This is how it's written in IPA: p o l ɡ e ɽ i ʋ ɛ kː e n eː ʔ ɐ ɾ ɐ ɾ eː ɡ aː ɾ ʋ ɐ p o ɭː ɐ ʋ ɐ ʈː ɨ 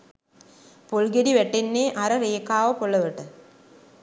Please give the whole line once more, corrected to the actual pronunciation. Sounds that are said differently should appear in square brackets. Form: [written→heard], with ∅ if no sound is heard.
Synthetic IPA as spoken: p o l ɡ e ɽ i ʋ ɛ [kː→ʈː] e [n→nː] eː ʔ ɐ ɾ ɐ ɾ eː [ɡ→k] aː [ɾ→∅] ʋ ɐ p o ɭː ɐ ʋ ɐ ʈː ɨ

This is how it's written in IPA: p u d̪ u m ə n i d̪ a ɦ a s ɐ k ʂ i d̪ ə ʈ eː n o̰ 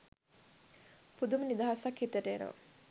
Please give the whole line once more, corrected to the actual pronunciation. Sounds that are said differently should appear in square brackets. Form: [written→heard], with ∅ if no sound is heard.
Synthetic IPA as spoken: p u d̪ u m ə n i d̪ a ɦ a s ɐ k [ʂ→h] i [d̪→t̪] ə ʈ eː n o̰

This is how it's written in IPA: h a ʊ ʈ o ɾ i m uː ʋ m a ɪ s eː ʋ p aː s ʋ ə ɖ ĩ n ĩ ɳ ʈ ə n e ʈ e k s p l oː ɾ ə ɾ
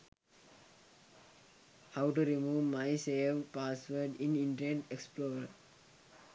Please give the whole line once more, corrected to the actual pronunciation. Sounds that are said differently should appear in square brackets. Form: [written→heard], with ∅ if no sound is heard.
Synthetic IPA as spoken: h a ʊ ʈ [o→u] ɾ i m uː ʋ m a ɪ s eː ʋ p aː s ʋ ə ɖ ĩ n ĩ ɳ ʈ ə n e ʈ e k s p l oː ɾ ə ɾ

